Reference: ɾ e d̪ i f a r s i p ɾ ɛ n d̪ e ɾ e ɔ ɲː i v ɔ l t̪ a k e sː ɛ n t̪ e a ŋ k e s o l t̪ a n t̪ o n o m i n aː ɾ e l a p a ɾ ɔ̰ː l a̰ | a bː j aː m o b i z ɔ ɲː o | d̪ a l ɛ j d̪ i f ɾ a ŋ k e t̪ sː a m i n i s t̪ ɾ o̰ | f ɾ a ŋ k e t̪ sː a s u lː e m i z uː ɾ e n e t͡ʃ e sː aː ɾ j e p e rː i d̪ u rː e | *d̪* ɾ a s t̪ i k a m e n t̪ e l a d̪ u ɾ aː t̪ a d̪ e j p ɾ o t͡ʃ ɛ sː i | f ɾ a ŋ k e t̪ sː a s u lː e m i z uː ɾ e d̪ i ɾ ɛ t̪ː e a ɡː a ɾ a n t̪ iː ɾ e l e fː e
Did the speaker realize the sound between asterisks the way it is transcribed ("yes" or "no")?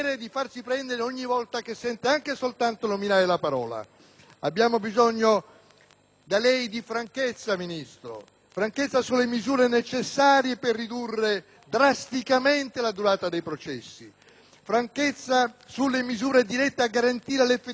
yes